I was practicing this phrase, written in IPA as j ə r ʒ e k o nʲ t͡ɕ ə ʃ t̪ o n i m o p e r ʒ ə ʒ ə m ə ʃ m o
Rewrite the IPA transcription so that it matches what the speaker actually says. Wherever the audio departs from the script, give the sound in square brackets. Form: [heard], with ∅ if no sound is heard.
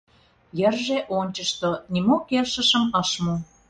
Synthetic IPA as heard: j ə r ʒ e [ʔ] o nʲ t͡ɕ ə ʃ t̪ o n i m o [k] e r [ʃ] ə [ʃ] ə m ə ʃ m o